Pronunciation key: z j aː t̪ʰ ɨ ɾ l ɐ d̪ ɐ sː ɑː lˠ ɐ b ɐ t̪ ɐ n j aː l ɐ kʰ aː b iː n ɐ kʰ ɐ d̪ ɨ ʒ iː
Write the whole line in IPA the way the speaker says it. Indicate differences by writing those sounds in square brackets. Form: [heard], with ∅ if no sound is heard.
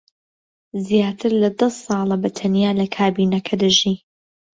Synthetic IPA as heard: z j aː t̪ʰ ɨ ɾ l ɐ d̪ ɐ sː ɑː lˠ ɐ b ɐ [t̪ʰ] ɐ n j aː l ɐ kʰ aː b iː n ɐ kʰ ɐ d̪ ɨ ʒ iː